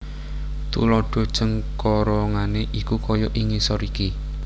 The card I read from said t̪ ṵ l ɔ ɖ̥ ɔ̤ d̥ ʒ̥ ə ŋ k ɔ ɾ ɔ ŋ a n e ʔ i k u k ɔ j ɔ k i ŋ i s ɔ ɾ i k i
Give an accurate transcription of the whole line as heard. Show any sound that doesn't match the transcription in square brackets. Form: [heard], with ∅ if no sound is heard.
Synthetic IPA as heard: t̪ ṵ l ɔ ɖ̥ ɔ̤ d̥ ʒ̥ ə ŋ k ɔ ɾ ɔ ŋ a n e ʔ i k u k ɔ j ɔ [ʔ] i ŋ i s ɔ ɾ i k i